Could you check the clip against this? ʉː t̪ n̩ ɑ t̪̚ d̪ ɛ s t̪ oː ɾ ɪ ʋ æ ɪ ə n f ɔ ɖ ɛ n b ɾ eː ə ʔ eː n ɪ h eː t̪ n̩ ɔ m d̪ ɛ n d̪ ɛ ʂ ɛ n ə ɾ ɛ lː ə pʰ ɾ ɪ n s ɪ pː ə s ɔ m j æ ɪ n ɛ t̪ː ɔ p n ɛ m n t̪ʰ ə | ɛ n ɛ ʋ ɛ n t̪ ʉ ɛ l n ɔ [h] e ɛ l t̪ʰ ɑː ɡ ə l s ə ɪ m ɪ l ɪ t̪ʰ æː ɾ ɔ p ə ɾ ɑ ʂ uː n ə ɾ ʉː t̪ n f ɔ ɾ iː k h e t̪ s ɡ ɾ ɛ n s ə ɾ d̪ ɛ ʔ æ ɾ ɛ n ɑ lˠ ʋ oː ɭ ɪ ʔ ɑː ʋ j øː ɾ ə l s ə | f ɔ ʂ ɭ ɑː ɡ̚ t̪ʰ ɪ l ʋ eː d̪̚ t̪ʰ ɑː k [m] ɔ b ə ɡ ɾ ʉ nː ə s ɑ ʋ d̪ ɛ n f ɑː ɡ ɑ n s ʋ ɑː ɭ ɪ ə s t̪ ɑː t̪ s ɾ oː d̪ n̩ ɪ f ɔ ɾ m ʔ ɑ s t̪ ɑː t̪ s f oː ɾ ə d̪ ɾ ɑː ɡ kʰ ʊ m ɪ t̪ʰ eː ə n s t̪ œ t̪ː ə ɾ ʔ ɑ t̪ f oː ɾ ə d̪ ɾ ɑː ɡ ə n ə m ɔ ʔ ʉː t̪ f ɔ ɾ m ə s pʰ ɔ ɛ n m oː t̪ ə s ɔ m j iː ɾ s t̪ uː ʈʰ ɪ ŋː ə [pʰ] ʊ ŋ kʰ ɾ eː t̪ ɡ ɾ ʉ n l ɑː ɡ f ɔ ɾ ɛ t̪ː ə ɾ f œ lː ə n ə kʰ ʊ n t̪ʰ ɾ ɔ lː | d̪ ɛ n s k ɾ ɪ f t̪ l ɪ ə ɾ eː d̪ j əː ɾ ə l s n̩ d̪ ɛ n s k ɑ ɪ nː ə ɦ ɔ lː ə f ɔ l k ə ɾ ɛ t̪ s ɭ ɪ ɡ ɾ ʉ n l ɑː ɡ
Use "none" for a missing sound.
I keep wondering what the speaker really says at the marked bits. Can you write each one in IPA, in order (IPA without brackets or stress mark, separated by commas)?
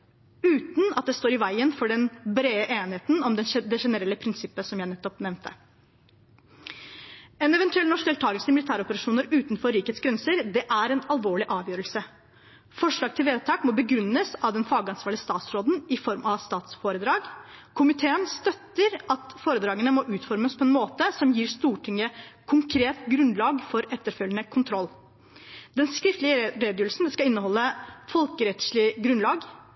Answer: ʂ, m, kʰ